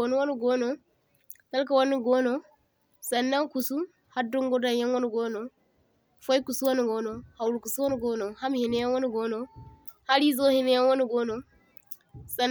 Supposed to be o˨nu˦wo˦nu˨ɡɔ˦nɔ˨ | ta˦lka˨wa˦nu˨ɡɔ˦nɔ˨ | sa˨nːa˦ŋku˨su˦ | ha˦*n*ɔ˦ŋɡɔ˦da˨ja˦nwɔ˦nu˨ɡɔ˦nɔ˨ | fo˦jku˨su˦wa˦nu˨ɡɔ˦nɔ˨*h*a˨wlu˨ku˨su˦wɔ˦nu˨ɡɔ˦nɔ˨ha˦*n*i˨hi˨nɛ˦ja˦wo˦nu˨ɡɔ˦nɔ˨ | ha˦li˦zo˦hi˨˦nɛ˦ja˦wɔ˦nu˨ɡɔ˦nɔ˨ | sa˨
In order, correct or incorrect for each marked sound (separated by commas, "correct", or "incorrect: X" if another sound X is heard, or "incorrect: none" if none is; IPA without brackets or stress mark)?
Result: incorrect: d, correct, incorrect: m